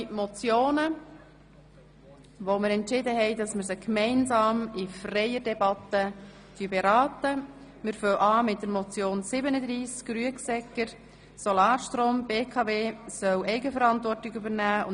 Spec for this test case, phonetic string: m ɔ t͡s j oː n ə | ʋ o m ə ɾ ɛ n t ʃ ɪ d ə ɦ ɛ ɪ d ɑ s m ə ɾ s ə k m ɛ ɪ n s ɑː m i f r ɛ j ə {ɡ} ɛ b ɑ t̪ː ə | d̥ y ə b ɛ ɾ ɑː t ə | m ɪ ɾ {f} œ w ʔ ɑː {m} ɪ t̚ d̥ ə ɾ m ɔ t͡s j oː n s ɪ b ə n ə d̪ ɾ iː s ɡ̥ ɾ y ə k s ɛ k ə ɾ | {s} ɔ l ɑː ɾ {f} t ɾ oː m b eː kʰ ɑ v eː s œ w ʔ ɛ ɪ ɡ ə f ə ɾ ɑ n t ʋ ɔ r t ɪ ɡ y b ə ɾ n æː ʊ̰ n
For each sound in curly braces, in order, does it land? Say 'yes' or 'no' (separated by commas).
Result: no, yes, yes, yes, no